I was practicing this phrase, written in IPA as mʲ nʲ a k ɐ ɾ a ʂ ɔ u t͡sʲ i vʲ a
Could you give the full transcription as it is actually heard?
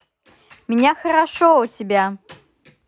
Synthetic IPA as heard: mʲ nʲ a x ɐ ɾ a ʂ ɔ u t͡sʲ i bʲ a